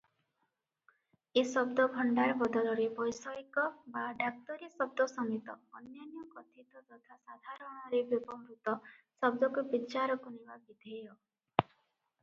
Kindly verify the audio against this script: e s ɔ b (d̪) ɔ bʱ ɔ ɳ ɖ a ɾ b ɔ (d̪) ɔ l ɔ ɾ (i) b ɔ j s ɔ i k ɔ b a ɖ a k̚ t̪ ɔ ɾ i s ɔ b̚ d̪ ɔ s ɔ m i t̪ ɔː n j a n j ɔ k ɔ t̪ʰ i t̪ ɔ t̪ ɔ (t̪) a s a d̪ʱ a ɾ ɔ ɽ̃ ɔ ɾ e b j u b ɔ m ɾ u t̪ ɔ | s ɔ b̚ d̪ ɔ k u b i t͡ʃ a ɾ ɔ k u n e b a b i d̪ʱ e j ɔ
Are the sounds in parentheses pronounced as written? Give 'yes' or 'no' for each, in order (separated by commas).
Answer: yes, yes, no, no